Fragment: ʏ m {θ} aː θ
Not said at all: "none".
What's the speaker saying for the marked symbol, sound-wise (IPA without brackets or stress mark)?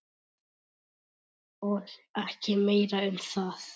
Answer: θ